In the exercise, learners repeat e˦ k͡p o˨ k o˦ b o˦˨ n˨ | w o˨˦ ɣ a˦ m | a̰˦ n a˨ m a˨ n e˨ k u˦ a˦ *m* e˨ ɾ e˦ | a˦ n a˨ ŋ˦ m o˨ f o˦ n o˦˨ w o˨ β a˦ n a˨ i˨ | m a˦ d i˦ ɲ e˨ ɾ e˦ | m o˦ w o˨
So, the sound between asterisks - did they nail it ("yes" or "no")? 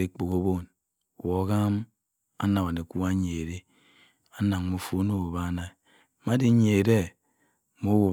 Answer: no